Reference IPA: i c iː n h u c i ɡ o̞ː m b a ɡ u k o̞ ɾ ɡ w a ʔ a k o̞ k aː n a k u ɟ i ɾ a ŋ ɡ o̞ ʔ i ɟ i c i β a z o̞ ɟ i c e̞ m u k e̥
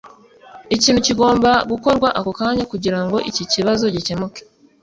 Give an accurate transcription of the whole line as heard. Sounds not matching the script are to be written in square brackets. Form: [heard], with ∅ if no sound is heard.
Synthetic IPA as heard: i c iː n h u c i ɡ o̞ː m b a ɡ u k o̞ ɾ ɡ w a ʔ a k o̞ k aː [ɲ] a k u ɟ i ɾ a ŋ ɡ o̞ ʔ i [c] i c i β a z o̞ ɟ i c e̞ m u k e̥